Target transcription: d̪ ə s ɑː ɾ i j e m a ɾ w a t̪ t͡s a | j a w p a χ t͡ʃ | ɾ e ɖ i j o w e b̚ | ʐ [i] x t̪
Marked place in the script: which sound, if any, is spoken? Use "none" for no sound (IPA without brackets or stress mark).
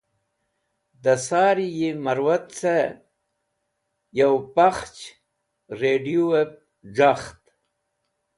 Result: a